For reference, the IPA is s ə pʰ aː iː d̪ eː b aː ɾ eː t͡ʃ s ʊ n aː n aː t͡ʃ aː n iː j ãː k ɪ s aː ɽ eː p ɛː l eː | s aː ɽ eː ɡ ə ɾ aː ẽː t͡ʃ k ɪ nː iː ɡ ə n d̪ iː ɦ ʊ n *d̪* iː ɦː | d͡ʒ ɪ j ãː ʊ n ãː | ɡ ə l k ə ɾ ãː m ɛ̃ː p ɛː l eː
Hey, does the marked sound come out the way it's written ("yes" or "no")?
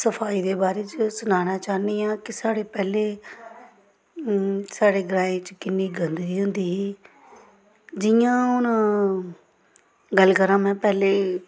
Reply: yes